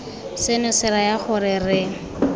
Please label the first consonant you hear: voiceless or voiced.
voiceless